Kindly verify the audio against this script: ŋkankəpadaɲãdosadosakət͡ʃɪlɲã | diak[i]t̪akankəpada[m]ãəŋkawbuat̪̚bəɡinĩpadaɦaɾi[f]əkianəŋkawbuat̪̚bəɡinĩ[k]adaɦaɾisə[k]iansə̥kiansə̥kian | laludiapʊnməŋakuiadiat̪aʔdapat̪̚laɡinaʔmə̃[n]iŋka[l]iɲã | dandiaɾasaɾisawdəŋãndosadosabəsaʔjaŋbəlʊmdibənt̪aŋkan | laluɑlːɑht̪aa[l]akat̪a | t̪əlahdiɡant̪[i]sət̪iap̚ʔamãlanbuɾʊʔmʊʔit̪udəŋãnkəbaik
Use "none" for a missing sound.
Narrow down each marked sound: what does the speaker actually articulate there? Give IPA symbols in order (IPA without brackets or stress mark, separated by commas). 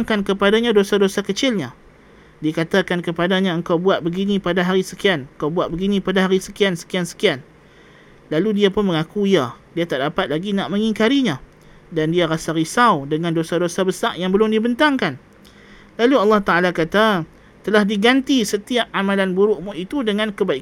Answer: a, ɲ, s, p, k, ŋ, ɾ, l, i